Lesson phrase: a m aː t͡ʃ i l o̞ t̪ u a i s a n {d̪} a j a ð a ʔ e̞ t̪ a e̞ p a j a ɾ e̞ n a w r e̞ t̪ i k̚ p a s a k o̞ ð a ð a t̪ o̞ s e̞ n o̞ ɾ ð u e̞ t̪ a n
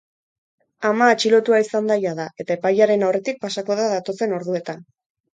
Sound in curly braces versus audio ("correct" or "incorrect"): correct